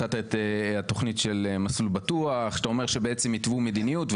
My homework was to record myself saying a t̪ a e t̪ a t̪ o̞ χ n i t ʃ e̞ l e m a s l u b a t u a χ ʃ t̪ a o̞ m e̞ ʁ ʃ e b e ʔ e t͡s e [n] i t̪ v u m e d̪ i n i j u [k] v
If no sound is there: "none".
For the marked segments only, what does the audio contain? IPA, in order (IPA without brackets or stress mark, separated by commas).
m, t